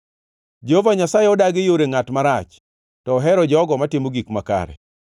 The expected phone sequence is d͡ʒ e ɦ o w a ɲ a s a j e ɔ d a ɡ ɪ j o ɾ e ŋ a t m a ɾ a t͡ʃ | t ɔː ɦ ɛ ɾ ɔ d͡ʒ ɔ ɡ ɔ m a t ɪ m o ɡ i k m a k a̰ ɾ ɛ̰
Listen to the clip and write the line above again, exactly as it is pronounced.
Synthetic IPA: d͡ʒ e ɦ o v a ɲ a s a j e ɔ d a ɡ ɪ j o ɾ e ŋ a t m a ɾ a t͡ʃ | t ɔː ɦ ɛ ɾ ɔ d͡ʒ ɔ ɡ ɔ m a t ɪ m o ɡ i k m a k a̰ ɾ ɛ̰